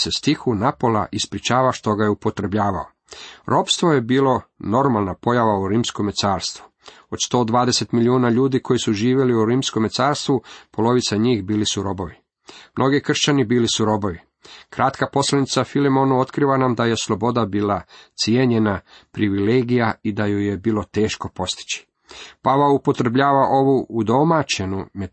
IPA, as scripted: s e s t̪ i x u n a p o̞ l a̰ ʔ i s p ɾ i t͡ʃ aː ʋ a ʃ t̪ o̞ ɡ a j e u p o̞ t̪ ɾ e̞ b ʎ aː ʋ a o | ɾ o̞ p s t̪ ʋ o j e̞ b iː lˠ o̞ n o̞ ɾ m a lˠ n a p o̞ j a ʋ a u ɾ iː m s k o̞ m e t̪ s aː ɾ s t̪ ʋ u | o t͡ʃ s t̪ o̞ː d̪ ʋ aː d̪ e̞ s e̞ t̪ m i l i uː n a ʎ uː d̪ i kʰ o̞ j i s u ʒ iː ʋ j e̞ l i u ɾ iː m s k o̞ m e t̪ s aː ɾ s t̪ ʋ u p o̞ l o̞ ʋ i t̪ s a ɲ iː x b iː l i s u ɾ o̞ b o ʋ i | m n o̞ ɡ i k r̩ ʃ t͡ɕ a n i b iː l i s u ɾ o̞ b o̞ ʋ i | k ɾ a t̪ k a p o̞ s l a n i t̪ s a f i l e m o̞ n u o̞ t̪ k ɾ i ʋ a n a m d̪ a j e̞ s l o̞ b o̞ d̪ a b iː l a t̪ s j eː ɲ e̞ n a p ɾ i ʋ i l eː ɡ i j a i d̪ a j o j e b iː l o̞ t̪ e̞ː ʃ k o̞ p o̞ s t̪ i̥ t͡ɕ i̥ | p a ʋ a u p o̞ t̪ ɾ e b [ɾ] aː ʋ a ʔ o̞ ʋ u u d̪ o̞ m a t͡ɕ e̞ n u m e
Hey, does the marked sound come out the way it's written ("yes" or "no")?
no